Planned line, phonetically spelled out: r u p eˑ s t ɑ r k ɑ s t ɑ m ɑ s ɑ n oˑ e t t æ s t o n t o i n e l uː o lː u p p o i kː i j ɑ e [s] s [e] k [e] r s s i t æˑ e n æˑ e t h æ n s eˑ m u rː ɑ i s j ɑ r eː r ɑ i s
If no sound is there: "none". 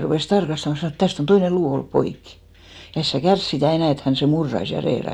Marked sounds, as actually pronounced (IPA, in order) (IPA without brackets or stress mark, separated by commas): s, æ, æ